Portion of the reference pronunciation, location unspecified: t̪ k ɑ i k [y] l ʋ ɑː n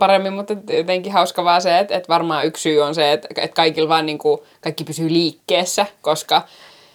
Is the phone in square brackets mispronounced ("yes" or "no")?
yes